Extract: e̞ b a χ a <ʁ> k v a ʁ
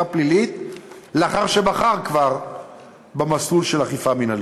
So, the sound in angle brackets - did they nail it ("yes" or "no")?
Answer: yes